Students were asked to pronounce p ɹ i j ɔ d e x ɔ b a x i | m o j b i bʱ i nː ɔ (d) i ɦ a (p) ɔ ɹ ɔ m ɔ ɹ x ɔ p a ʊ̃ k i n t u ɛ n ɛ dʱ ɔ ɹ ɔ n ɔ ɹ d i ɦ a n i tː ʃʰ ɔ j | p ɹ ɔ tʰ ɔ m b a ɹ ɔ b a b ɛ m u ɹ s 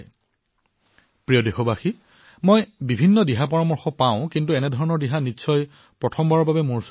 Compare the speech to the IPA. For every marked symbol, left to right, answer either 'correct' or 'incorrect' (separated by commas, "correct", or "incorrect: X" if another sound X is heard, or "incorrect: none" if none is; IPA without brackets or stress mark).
correct, correct